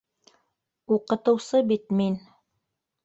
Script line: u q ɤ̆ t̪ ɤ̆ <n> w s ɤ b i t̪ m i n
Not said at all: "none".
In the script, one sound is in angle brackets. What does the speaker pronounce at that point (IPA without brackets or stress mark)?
none